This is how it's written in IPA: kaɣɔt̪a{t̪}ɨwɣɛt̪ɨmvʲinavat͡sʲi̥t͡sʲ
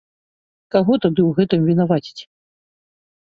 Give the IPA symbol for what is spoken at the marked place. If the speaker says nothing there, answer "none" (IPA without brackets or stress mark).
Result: d̪